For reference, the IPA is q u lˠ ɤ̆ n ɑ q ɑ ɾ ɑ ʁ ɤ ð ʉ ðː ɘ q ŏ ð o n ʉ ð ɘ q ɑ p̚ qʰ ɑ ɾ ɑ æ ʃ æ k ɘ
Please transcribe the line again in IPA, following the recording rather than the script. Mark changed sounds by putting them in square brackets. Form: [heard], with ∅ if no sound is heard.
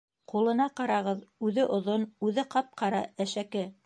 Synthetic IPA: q u lˠ ɤ̆ n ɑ q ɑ ɾ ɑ ʁ ɤ ð ʉ [ð] ɘ [ʔ] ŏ ð o n ʉ ð ɘ q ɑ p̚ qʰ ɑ ɾ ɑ æ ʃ æ k ɘ